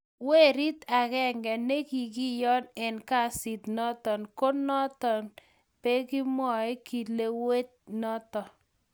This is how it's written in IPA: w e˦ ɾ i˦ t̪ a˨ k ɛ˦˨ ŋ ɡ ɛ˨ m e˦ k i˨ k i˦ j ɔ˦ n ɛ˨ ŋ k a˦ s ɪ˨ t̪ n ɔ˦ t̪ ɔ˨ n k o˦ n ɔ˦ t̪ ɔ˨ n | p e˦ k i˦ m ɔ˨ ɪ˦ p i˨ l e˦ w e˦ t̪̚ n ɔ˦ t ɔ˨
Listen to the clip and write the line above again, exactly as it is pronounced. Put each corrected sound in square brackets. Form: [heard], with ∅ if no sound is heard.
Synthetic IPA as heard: w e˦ ɾ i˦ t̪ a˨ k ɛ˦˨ ŋ ɡ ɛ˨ [n] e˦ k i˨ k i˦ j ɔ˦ n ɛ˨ [n] k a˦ s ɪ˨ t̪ n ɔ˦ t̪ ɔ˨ n k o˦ n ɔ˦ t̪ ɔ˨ n | p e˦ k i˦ m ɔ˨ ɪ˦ [k] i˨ l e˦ w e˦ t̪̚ n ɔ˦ t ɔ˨